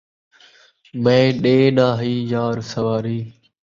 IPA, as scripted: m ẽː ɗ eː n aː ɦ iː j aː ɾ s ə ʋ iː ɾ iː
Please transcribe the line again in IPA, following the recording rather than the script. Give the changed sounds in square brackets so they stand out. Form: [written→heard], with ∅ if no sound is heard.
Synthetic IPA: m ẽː ɗ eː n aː ɦ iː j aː ɾ s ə ʋ [iː→aː] ɾ iː